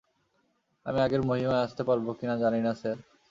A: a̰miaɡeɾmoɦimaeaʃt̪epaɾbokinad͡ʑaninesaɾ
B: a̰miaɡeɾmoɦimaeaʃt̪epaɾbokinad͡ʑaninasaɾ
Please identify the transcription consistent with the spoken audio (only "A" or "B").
B